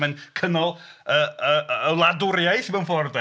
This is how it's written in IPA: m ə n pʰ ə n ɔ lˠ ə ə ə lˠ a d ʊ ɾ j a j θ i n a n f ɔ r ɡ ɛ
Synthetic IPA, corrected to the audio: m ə n kʰ ə n ɔ lˠ ə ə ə lˠ a d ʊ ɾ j a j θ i m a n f ɔ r d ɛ